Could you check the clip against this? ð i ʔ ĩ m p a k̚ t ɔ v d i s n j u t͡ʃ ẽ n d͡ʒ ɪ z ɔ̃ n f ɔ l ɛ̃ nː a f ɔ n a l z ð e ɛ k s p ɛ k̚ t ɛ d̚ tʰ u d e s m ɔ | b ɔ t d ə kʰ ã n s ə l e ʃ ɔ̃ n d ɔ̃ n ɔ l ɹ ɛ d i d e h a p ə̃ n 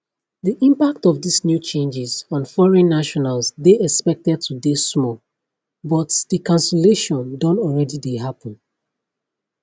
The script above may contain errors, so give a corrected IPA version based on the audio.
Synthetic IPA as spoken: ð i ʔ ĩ m p a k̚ t ɔ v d i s n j u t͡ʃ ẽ n d͡ʒ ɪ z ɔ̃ n f ɔ ɹ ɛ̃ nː a ʃ ɔ n a l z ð e ɛ k s p ɛ k̚ t ɛ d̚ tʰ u d e s m ɔ | b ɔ t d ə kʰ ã n s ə l e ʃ ɔ̃ n d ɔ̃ n ɔ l ɹ ɛ d i d e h a p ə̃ n